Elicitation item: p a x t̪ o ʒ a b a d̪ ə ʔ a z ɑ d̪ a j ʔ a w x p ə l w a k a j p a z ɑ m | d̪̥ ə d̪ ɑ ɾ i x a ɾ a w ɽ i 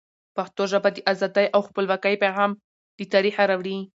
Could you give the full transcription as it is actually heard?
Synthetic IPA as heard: p a x t̪ o ʒ a b a d̪ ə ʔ a z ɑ d̪ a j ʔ a w x p ə l w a k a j p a ɣ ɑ m | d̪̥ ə t̪ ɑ ɾ i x a ɾ a w ɽ i